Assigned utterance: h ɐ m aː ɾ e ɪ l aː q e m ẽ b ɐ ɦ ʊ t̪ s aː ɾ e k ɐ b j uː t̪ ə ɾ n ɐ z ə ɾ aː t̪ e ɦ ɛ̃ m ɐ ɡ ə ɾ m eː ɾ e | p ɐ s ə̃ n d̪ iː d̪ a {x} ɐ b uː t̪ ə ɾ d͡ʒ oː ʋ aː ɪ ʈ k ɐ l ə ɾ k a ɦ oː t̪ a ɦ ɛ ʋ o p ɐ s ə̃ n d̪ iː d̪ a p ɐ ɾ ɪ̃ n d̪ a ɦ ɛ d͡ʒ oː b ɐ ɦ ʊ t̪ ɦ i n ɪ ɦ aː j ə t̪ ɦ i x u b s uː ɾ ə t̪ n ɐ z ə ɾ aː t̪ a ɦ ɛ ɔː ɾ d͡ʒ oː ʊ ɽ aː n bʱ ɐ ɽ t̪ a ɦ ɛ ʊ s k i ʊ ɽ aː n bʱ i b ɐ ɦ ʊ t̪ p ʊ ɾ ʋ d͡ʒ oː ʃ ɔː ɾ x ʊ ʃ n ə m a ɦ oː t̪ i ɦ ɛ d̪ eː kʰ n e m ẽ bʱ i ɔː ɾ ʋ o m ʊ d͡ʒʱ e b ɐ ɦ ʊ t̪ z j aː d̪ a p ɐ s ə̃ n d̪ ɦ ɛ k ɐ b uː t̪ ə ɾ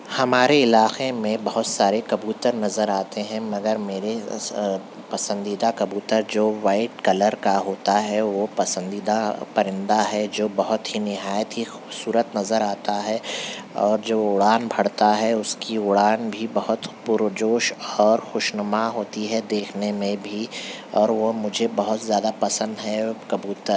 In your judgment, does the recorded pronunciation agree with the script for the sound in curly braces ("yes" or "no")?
no